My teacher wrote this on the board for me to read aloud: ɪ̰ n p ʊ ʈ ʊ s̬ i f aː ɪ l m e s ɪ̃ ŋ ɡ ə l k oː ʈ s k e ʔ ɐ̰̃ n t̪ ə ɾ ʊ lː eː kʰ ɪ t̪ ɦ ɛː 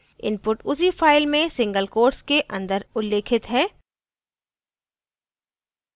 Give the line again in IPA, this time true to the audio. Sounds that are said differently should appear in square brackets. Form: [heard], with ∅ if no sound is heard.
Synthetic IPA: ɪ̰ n p ʊ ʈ ʊ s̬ i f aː ɪ l m [ẽ] s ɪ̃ ŋ ɡ ə l k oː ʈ s k e ʔ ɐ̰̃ n [d̪] ə ɾ ʊ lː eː kʰ ɪ t̪ ɦ ɛː